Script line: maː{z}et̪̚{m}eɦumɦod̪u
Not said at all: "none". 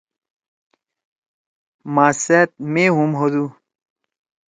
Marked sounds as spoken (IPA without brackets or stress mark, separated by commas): s, m